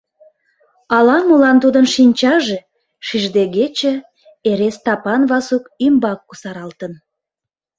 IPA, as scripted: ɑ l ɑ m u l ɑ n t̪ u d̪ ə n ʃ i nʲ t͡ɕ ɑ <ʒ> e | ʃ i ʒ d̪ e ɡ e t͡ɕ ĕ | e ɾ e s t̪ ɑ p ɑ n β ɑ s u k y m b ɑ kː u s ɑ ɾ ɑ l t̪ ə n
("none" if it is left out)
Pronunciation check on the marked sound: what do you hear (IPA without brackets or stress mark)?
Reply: ʒ